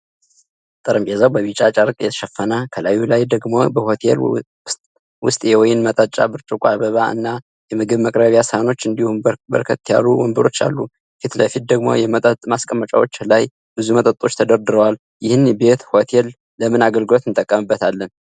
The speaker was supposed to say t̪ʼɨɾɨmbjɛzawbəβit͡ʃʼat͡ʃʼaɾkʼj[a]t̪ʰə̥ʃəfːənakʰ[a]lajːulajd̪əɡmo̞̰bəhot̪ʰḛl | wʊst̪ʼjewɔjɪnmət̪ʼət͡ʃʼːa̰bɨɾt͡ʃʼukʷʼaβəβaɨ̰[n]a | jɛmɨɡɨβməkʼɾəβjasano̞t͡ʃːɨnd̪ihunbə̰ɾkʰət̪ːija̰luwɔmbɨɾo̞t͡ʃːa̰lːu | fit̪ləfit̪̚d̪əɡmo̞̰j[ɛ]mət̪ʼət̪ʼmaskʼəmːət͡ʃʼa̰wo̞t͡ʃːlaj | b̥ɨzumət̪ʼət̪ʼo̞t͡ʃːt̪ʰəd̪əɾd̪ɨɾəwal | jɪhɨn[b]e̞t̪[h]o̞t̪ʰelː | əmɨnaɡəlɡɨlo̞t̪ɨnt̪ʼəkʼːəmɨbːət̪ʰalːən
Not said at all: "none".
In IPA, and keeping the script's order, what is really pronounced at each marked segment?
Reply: ɛ, ə, nː, ɛ, b, h

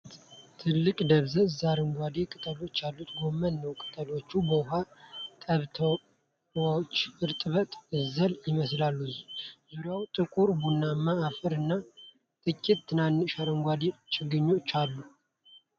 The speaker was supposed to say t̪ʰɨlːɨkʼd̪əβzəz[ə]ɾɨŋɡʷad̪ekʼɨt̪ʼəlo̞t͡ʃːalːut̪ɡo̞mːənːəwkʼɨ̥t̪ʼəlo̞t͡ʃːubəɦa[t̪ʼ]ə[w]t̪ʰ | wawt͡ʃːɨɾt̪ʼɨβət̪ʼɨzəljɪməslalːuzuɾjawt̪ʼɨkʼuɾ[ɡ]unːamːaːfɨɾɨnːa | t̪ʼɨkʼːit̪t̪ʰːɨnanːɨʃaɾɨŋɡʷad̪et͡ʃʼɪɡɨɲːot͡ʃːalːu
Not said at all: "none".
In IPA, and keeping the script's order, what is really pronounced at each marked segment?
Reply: a, t̪ʼ, β, b

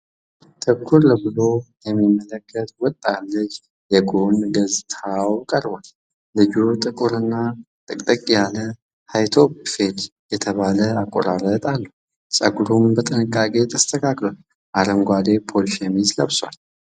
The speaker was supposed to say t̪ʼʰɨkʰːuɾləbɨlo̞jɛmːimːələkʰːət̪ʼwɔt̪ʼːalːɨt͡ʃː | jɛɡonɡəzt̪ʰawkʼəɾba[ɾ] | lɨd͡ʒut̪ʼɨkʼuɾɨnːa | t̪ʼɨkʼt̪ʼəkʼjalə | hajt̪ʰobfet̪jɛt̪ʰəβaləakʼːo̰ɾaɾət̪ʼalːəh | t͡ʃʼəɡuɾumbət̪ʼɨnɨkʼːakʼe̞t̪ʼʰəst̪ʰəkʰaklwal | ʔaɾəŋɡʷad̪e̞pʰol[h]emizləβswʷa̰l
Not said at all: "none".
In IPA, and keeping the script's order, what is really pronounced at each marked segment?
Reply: l, ʃ

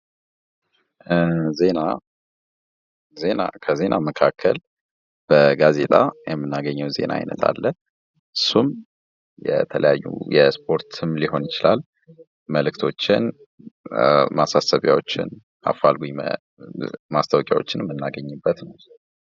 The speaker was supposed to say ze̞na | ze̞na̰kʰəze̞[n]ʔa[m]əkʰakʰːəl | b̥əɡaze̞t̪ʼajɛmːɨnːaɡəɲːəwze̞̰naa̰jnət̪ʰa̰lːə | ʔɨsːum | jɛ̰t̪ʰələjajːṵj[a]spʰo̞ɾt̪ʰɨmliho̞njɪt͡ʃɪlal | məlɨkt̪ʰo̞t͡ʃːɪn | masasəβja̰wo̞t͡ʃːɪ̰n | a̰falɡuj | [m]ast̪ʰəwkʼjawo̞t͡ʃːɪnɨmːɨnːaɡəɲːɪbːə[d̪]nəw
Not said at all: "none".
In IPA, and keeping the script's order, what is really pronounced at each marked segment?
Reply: n, m, ɛ, m, t̪

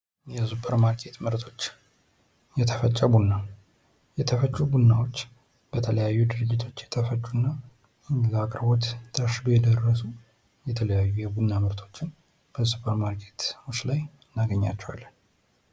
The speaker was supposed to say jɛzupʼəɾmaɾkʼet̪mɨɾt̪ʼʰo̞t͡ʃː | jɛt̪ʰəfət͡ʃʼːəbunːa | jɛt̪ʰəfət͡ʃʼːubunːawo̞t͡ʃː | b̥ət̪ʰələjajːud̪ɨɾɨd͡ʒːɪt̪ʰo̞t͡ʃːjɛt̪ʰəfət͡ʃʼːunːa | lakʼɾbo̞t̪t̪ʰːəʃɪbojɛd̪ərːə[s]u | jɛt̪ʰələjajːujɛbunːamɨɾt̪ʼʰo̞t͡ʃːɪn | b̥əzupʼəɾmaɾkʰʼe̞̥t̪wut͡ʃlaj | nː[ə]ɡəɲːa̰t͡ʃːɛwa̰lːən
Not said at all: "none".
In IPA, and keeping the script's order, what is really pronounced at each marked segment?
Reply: s, a

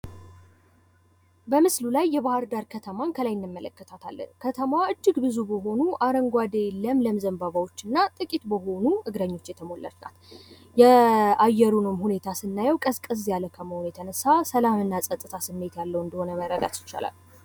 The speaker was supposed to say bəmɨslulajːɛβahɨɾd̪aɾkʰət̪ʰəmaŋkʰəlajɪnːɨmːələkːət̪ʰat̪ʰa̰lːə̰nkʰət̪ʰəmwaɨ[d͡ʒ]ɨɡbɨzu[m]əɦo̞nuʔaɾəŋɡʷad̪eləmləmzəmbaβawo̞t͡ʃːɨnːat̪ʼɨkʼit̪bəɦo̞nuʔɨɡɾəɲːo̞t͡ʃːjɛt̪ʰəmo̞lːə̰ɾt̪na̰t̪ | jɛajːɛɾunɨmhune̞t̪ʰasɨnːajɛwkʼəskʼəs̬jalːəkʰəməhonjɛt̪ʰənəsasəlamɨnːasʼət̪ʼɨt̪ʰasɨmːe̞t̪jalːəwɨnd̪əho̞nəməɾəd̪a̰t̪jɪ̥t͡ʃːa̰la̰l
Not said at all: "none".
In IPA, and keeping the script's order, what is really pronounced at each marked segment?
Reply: d͡ʒː, b

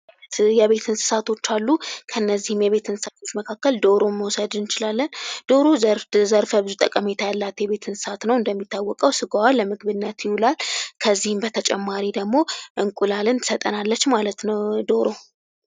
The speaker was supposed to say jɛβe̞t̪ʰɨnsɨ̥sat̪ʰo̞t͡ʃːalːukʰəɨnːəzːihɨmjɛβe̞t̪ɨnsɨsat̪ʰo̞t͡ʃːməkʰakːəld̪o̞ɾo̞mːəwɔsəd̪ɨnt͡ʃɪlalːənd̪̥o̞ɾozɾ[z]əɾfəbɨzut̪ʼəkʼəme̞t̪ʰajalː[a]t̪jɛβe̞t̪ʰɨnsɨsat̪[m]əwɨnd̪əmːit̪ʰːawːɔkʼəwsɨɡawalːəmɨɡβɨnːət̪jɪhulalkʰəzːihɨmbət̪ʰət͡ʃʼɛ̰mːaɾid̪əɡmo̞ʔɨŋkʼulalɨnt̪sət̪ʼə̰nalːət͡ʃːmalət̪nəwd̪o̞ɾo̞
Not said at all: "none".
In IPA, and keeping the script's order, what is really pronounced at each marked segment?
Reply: z, a, n

